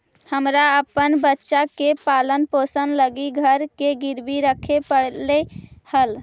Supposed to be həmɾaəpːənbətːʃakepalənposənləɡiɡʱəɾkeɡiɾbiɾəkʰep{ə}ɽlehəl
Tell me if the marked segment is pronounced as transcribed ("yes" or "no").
yes